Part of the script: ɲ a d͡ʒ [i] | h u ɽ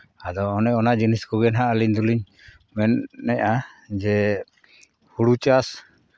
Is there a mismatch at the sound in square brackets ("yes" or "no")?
yes